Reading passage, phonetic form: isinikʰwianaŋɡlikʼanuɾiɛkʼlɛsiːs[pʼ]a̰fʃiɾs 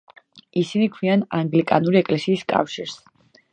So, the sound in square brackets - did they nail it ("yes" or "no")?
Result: no